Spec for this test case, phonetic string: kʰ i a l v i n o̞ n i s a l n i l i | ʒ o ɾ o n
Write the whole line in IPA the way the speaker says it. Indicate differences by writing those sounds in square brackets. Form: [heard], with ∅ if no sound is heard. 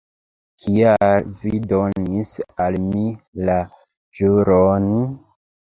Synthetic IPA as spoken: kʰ i a l v i [d] o̞ n i s a l [m] i l [a] | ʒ [u] ɾ o n